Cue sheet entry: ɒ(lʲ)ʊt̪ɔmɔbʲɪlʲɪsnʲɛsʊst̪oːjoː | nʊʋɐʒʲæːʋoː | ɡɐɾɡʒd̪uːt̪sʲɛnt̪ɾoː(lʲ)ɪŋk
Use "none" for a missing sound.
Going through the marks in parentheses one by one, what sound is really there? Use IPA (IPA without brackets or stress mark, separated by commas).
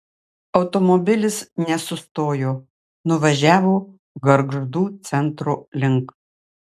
none, lʲ